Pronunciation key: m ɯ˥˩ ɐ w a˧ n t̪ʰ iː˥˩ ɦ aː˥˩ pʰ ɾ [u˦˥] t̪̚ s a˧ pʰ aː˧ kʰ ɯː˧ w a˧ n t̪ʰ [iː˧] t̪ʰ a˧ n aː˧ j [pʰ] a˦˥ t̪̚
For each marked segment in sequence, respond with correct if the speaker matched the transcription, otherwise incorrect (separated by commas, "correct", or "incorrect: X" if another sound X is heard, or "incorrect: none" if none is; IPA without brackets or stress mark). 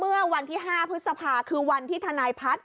incorrect: ɯ˦˥, incorrect: iː˥˩, correct